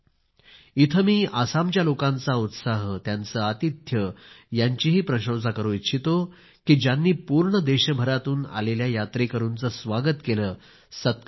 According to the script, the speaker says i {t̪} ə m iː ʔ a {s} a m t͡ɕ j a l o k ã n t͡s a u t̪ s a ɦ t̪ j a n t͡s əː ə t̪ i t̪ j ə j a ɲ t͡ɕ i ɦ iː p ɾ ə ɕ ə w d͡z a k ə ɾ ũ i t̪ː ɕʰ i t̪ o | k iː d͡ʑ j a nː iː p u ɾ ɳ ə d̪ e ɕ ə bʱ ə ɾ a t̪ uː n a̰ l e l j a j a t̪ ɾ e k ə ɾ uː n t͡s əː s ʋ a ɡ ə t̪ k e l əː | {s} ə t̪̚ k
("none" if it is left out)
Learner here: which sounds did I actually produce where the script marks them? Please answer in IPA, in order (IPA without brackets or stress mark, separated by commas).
t̪ʰ, s, s